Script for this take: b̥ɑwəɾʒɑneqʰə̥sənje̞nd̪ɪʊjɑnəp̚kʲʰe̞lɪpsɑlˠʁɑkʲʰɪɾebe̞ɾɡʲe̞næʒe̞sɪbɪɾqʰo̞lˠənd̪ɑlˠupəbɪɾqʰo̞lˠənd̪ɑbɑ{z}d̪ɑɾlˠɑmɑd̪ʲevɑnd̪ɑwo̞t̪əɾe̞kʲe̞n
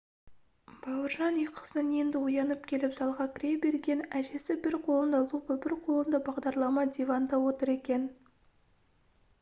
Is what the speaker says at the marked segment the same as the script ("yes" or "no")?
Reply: no